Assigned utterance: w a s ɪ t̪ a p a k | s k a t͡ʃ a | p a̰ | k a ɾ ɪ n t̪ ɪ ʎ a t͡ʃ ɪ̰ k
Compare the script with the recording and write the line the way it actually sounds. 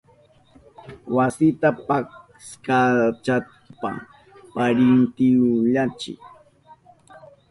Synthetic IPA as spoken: w a s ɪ t̪ a p a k | s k a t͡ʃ a | p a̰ | p a ɾ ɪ n t̪ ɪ ʎ a t͡ʃ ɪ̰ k